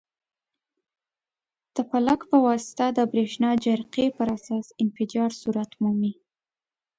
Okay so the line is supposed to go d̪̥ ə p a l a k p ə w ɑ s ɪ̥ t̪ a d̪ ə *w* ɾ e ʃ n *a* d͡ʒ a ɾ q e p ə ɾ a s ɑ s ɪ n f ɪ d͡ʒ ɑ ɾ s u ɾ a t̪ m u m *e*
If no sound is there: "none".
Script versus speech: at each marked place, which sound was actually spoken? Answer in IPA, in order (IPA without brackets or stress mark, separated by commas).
b, ɑ, i